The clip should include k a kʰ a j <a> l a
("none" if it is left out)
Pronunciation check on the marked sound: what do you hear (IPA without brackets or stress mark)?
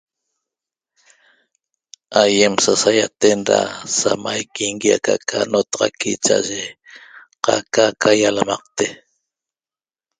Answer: a